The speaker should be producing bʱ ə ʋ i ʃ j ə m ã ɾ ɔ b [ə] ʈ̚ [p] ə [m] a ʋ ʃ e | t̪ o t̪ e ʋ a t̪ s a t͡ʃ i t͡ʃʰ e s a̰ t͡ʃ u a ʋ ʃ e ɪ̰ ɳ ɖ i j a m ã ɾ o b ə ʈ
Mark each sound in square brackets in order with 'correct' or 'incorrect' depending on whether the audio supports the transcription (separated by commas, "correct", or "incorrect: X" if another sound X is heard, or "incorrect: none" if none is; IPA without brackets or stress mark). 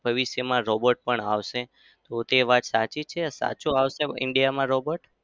correct, correct, incorrect: ɳ